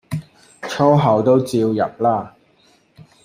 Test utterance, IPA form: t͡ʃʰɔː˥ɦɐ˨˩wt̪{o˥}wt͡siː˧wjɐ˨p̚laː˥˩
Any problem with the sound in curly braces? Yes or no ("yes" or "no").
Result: no